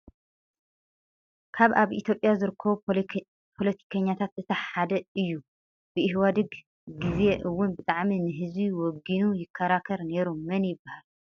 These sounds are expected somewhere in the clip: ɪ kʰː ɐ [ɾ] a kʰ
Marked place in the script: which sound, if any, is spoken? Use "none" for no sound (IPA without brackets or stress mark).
ɾ